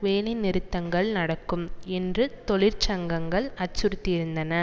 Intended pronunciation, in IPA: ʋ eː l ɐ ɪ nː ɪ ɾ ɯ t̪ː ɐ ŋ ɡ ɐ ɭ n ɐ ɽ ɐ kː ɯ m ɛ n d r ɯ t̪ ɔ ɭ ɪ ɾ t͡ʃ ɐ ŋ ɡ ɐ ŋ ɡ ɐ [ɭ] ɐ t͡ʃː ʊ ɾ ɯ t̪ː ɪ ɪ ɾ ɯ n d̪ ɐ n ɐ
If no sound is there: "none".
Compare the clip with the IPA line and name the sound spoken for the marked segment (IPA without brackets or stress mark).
ɭ